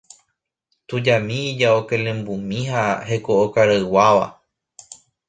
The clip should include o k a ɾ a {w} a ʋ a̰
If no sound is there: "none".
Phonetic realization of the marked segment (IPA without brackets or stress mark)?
w